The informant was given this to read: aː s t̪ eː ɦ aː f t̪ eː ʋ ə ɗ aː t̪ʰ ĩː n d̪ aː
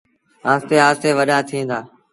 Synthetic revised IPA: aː s t̪ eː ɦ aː s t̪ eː ʋ ə ɗ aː t̪ʰ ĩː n d̪ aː